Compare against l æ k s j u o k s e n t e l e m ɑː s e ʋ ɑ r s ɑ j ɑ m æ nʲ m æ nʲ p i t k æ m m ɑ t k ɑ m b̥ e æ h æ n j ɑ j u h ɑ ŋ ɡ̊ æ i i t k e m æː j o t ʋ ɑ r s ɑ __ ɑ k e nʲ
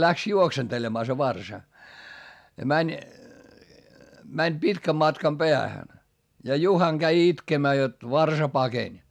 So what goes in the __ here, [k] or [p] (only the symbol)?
p